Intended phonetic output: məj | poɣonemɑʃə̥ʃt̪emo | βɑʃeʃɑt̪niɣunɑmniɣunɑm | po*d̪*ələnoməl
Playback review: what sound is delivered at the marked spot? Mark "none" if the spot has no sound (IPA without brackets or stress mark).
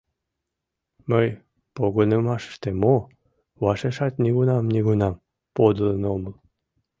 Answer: d̪